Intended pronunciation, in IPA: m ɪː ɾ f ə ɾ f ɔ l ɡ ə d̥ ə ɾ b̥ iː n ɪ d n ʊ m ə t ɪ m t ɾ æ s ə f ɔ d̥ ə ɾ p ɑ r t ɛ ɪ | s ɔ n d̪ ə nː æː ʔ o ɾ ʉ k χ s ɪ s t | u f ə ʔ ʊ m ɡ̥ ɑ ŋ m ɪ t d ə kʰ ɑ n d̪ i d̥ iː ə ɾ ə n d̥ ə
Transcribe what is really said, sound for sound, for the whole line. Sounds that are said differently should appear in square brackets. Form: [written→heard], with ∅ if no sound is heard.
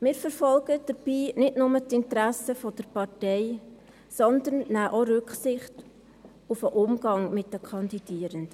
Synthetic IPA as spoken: m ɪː ɾ f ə ɾ f ɔ l ɡ ə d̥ ə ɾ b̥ iː n ɪ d n ʊ m ə t ɪ [m→n] t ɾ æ s ə f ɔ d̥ ə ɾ p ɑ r t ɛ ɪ | s ɔ n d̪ ə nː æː ʔ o ɾ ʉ k χ s ɪ [s→χ] t | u f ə ʔ ʊ m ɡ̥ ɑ ŋ m ɪ t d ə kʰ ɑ n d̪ i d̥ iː ə ɾ ə n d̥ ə

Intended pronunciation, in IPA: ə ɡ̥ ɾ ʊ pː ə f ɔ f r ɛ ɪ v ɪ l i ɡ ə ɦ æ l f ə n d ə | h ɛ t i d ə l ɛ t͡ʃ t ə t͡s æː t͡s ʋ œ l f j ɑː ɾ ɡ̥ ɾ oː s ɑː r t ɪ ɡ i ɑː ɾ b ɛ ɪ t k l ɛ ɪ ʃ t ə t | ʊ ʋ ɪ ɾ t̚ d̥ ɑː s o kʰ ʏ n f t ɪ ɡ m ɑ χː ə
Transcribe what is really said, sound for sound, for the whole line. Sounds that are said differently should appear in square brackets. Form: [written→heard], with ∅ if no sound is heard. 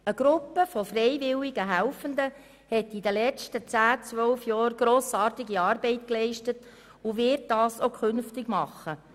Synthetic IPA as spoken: ə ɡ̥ ɾ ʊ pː ə f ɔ f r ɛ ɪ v ɪ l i ɡ ə ɦ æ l f ə n d ə | h ɛ t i d ə l ɛ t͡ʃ t ə t͡s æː t͡s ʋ œ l f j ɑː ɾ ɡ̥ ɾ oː s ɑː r t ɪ ɡ i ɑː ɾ b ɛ ɪ t k l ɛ ɪ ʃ t ə t | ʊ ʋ ɪ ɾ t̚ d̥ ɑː s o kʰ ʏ n f t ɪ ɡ m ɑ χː ə

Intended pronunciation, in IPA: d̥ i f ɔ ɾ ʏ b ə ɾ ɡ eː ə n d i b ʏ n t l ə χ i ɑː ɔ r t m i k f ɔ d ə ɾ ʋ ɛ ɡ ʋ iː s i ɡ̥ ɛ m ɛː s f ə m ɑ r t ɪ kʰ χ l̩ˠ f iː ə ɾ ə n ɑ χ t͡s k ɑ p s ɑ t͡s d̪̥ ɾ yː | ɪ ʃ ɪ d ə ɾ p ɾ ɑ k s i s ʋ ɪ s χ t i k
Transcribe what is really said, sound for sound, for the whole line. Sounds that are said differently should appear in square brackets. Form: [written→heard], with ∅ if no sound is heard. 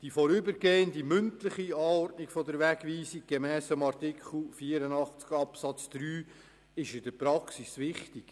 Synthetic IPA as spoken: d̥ i f ɔ ɾ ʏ b ə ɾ ɡ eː ə n d i [b→m] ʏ n t l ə χ i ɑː ɔ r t [m→n] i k f ɔ d ə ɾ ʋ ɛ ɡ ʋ iː s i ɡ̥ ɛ m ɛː s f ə m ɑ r t ɪ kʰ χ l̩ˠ f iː ə ɾ ə n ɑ χ t͡s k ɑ p s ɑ t͡s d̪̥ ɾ yː | ɪ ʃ ɪ d ə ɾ p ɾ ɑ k s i s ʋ ɪ [s→∅] χ t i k

